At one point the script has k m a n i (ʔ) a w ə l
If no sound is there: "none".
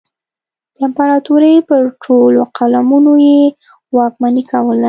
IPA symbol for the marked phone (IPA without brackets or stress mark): k